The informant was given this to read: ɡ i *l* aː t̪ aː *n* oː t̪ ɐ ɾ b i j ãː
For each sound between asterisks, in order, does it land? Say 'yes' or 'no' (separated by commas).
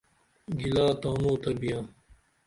yes, yes